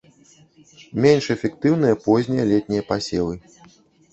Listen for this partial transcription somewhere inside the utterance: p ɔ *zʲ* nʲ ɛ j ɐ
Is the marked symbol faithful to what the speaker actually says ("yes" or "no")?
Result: yes